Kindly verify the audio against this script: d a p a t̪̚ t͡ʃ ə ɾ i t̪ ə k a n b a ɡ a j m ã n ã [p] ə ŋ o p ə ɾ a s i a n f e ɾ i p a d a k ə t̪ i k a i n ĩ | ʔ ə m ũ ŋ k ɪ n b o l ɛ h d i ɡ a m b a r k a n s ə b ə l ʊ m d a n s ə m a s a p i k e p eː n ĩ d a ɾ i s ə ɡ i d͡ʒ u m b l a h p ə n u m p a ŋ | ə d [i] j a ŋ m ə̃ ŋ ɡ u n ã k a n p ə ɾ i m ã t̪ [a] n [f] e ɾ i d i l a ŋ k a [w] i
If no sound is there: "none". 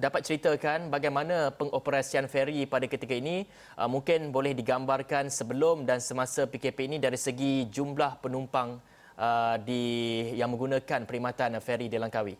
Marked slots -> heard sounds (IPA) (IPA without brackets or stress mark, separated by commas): p, i, a, f, w